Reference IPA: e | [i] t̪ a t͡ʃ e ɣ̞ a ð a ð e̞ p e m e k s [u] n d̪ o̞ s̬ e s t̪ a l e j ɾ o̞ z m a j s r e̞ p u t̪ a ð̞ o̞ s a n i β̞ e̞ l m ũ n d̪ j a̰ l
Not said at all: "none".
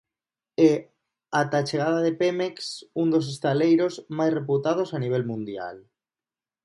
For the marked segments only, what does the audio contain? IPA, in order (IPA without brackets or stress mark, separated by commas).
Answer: a, u